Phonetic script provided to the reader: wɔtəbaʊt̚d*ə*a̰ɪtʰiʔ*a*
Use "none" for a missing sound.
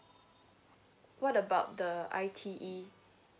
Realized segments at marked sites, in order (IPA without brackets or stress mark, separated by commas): ə, i